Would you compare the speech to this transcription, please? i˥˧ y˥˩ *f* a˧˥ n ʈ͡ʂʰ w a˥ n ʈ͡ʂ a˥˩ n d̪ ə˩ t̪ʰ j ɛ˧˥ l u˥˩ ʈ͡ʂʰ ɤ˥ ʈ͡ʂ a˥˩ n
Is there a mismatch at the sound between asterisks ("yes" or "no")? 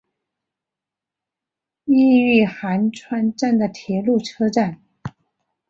yes